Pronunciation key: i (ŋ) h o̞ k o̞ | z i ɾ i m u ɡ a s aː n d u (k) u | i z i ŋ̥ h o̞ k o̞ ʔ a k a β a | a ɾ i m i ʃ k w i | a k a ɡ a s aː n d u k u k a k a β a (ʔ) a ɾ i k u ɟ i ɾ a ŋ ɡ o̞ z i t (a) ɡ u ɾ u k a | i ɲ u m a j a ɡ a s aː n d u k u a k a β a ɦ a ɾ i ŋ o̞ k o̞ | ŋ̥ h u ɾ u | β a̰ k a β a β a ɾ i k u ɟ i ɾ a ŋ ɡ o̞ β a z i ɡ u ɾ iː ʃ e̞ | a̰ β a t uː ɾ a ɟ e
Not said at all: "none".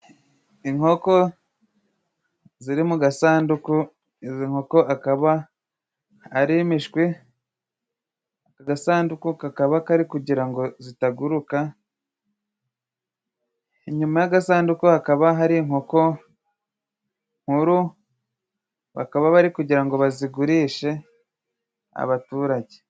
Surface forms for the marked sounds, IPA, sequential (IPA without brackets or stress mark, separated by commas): ŋ, k, k, a